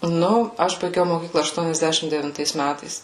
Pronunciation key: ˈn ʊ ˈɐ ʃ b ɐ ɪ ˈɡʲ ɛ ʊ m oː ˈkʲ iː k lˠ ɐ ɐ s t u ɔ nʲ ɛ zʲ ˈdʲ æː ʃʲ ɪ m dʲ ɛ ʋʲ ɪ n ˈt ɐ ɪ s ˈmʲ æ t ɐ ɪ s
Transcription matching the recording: ˈn ʊ ˈɐ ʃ b ɐ ɪ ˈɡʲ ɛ ʊ m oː ˈkʲ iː k lˠ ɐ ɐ ʃ t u ɔ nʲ ɛ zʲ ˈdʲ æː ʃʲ ɪ m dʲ ɛ ʋʲ ɪ n ˈt ɐ ɪ s ˈmʲ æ t ɐ ɪ s